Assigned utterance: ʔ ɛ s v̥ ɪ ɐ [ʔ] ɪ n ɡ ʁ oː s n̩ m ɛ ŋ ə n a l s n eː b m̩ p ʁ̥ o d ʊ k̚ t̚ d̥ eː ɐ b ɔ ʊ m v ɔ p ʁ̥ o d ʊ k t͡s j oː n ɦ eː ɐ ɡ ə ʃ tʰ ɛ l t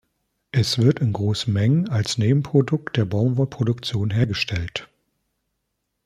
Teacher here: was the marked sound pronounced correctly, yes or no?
no